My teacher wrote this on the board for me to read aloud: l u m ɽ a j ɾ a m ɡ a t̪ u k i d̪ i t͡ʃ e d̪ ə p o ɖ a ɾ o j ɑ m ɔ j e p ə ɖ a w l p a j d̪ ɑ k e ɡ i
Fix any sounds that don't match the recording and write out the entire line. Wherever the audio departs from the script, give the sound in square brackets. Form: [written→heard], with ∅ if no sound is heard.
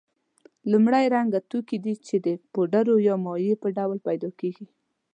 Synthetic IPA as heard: l u m ɽ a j ɾ a [m→ŋ] ɡ a t̪ u k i d̪ i t͡ʃ e d̪ ə p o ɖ a ɾ o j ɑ m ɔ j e p ə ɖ a w l p a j d̪ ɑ k e ɡ i

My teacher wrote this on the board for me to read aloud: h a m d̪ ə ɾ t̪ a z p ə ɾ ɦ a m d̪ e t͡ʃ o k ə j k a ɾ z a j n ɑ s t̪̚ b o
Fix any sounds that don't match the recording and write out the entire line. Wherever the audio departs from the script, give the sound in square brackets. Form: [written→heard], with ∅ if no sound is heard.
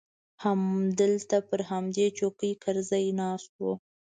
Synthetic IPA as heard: h a m d̪ ə [ɾ→l] t̪ a [z→∅] p ə ɾ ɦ a m d̪ e t͡ʃ o k ə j k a ɾ z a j n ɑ s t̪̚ [b→w] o

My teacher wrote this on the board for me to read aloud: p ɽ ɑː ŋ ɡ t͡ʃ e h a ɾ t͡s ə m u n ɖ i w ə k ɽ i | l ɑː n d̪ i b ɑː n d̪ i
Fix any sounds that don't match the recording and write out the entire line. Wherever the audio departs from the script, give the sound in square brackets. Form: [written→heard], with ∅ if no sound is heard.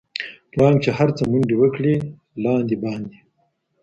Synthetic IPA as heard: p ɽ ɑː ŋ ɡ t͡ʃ e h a ɾ t͡s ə m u [n→ɳ] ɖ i w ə k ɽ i | l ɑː n d̪ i b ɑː n d̪ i

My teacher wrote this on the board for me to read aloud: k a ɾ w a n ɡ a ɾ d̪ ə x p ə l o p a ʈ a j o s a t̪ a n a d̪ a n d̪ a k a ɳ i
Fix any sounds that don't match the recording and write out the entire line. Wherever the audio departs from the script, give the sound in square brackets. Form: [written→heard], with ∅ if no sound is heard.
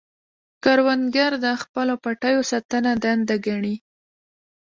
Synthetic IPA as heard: k a ɾ w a n ɡ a ɾ d̪ ə x p ə l o p a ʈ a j o s a t̪ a n a d̪ a n d̪ a [k→ɡ] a ɳ i

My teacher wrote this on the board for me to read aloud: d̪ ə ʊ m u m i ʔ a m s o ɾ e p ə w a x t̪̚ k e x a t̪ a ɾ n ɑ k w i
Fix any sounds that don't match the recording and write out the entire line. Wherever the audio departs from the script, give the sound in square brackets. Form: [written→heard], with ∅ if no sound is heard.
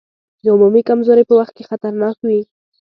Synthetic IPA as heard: d̪ ə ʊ m u m i [ʔ→k] a m [s→z] o ɾ e p ə w a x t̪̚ k e x a t̪ a ɾ n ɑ k w i

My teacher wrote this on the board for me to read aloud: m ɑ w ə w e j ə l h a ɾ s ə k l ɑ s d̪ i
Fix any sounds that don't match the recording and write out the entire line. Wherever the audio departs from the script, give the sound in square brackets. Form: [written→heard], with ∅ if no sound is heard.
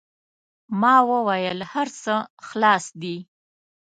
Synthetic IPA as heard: m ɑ w ə w [e→a] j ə l h a ɾ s ə [k→x] l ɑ s d̪ i

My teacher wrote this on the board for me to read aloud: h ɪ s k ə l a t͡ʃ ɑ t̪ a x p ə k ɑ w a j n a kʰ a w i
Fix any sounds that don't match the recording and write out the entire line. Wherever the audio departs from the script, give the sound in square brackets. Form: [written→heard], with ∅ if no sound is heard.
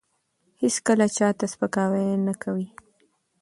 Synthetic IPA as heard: h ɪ s k ə l a t͡ʃ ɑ t̪ a [x→s] p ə k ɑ w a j n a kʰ a w i

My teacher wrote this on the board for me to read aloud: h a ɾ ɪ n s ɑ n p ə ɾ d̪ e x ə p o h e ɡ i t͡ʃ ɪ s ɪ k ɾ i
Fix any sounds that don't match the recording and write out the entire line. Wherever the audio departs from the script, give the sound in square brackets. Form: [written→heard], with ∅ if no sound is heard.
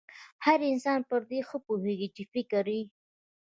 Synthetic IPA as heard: h a ɾ ɪ n s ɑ n p ə ɾ d̪ e x ə p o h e ɡ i t͡ʃ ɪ [s→f] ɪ k ɾ i

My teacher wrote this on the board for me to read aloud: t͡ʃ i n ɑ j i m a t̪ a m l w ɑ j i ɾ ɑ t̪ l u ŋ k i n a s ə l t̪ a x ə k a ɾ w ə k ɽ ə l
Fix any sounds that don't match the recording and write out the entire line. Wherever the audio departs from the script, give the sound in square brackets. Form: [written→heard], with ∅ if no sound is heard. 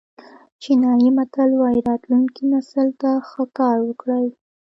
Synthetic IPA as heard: t͡ʃ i n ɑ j i m a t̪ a [m→∅] l w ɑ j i ɾ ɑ t̪ l u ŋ k i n a s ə l t̪ a x ə k [a→ɑ] ɾ w ə k ɽ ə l

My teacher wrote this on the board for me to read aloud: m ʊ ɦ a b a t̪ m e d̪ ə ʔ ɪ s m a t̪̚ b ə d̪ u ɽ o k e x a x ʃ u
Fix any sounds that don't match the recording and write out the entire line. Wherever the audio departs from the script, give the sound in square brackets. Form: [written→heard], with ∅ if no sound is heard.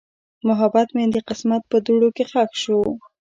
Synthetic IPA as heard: m ʊ ɦ a b a t̪ m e d̪ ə [ʔ→q] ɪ s m a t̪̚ [b→p] ə d̪ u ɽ o k e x a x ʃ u

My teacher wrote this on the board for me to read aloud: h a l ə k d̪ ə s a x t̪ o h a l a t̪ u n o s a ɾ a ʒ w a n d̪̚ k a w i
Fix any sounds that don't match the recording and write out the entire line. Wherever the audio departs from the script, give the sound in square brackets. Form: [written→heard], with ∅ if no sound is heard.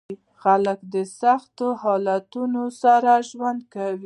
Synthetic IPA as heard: [h→x] a l ə k d̪ ə s a x t̪ o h [a→ɑ] l a t̪ u n o s a ɾ a ʒ w a n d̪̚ k a w i

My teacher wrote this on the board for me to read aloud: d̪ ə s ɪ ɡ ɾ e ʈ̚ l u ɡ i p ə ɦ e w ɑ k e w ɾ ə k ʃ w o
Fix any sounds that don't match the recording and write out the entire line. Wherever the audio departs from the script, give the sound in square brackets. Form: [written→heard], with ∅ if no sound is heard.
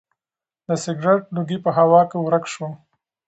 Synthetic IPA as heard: d̪ ə s ɪ ɡ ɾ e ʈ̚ l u ɡ i p ə ɦ [e→a] w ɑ k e w ɾ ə k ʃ w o

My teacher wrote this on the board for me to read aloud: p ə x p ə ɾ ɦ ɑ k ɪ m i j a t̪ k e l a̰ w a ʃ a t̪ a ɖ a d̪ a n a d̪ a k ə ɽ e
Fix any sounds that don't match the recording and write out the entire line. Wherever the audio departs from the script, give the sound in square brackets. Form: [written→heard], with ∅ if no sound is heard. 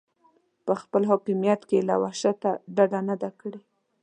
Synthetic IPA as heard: p ə x p ə [ɾ→l] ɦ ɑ k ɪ m i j a t̪ k e l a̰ w a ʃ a t̪ a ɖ a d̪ a n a d̪ a k ə ɽ e

